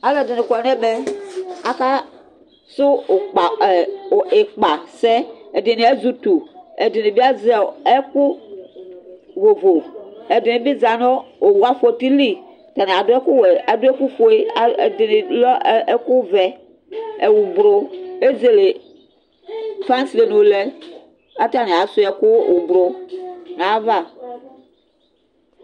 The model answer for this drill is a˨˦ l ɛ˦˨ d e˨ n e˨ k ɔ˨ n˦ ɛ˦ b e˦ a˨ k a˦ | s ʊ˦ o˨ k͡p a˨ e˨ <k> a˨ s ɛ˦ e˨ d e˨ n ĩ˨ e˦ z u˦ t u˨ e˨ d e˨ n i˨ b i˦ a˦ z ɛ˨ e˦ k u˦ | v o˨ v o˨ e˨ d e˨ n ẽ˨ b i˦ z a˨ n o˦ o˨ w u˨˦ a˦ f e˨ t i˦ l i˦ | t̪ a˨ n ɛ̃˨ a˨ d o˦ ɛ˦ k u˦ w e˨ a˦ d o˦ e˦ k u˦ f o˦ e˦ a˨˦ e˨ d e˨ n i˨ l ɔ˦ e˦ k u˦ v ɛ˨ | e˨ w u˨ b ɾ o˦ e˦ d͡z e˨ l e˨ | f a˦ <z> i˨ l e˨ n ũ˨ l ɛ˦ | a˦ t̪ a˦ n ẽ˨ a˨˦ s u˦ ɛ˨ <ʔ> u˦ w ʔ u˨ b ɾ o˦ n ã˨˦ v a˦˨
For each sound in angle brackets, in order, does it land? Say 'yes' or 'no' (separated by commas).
no, no, no